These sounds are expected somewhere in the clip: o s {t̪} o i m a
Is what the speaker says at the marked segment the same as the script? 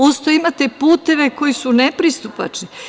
yes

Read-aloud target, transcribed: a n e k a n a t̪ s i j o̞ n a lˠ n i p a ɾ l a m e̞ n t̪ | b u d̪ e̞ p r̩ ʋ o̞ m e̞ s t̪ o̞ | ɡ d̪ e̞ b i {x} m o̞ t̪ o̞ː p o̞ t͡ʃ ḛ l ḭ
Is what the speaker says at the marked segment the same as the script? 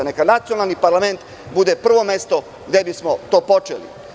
no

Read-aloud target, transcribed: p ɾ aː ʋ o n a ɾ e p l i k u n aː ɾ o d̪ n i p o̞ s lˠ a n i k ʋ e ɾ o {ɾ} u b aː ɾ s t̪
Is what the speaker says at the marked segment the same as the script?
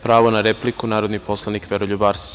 no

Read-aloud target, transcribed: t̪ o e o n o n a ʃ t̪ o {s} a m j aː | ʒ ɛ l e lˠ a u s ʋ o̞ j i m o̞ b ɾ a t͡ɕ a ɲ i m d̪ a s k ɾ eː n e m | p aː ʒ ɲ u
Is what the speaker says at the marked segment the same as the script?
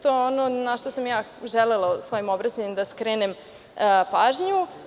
yes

